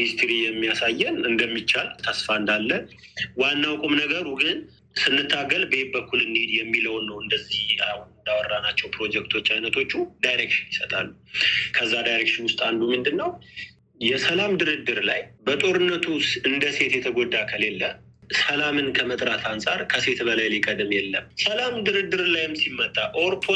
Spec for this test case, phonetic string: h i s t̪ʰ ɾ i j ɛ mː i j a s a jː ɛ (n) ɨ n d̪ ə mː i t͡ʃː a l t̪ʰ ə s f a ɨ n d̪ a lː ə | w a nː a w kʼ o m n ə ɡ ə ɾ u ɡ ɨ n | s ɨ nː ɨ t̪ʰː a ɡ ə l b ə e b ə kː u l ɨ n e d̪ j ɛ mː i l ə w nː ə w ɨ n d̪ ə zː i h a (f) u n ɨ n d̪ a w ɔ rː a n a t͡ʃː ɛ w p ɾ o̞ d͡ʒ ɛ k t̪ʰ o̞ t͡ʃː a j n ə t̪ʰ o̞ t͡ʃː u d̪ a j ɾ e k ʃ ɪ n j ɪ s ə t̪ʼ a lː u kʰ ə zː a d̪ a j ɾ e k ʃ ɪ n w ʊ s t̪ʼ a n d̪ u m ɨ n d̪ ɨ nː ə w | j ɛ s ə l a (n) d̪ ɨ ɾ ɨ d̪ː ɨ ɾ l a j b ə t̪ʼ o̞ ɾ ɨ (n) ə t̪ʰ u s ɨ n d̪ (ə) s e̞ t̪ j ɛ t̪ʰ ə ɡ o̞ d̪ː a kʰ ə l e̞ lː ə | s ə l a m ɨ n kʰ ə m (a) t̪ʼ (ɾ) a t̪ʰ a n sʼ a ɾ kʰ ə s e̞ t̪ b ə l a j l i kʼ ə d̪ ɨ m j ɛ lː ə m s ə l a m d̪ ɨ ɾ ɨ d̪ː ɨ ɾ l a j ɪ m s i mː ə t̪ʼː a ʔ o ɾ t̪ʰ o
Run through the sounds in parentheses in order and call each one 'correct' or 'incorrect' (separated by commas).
correct, incorrect, incorrect, incorrect, correct, incorrect, correct